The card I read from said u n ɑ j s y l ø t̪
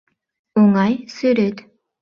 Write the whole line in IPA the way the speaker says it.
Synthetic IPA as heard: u ŋ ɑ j s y ɾ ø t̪